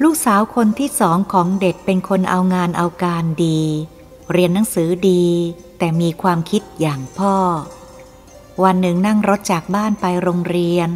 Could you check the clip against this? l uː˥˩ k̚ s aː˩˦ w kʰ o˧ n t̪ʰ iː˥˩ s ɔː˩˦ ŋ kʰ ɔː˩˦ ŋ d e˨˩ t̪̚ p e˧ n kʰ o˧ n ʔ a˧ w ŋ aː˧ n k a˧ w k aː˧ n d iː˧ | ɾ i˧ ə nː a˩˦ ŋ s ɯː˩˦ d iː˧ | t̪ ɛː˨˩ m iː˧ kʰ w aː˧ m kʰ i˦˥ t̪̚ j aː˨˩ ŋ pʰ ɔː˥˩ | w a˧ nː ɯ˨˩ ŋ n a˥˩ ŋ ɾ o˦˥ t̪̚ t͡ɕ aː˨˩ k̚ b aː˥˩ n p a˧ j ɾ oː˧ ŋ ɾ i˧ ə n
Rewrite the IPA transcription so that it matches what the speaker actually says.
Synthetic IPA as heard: l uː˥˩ k̚ s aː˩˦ w kʰ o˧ n t̪ʰ iː˥˩ s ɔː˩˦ ŋ kʰ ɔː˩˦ ŋ d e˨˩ t̪̚ p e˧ n kʰ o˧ n ʔ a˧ w ŋ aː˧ n ʔ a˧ w k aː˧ n d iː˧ | ɾ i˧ ə nː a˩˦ ŋ s ɯː˩˦ d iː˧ | t̪ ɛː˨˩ m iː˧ kʰ w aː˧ m kʰ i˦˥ t̪̚ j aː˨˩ ŋ pʰ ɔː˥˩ | w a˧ nː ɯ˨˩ ŋ n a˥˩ ŋ ɾ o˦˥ t̪̚ t͡ɕ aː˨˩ k̚ b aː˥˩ n p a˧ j ɾ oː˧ ŋ ɾ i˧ ə n